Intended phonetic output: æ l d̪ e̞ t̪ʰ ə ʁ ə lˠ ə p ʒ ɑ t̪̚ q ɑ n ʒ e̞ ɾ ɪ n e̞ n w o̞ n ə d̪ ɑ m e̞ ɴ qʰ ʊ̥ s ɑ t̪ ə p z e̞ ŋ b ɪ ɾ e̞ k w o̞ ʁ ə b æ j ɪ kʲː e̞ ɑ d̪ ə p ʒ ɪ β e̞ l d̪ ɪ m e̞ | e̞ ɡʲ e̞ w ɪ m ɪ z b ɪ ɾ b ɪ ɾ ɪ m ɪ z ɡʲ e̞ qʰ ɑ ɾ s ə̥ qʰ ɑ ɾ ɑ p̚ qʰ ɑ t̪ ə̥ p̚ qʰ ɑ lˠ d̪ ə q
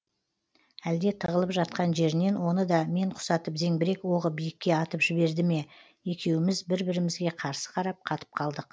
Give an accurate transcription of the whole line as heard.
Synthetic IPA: æ l d̪ e̞ t̪ʰ ə ʁ ə lˠ ə p ʒ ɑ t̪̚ q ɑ n ʒ e̞ ɾ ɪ n e̞ n w o̞ n ə d̪ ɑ m e̞ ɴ qʰ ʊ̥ s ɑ t̪ ə p z e̞ ŋ b ɪ ɾ e̞ k w o̞ ʁ ə b i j ɪ kʲː e̞ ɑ t̪ ə p ʒ ɪ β e̞ ɾ d̪ ɪ m e̞ | e̞ kʲ e̞ w ɪ m ɪ z b ɪ ɾ b ɪ ɾ ɪ m ɪ z ɡʲ e̞ qʰ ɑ ɾ s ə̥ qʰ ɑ ɾ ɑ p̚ qʰ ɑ t̪ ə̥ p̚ qʰ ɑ lˠ d̪ ə q